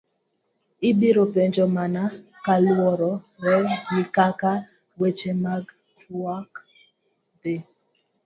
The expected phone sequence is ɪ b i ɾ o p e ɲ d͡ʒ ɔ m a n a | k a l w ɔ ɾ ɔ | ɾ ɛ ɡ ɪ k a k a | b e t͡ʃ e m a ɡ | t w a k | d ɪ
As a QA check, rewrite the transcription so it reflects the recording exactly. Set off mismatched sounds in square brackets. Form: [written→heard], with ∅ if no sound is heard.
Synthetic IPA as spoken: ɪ b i ɾ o p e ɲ d͡ʒ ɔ m a n a | k a l w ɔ ɾ ɔ | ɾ ɛ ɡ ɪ k a k a | [b→w] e t͡ʃ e m a ɡ | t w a k | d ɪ